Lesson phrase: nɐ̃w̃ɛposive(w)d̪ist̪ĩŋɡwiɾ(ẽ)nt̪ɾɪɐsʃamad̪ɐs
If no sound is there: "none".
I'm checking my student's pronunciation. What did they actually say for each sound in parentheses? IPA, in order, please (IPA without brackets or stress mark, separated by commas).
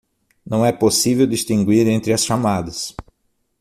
w, ẽ